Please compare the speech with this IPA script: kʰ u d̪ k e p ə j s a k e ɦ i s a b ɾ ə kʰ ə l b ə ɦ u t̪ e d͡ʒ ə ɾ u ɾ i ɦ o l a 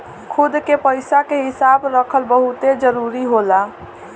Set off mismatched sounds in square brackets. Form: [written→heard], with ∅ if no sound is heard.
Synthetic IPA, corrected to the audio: kʰ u d̪ k e p ə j s a k e ɦ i s a b ɾ ə kʰ ə l b ə ɦ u t̪ e d͡ʒ ə ɾ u ɾ i ɦ o l a